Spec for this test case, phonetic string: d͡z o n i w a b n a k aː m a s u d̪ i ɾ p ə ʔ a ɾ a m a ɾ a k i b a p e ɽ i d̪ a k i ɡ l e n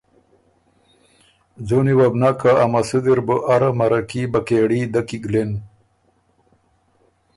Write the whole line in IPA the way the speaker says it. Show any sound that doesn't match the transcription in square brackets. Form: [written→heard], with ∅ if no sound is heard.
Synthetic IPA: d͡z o n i w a b n a k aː m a s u d̪ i ɾ [p→b] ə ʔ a ɾ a m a ɾ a k i b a [p→k] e ɽ i d̪ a k i ɡ l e n